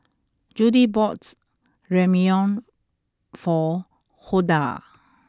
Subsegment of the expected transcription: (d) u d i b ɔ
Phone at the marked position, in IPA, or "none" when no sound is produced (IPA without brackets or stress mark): d͡ʒ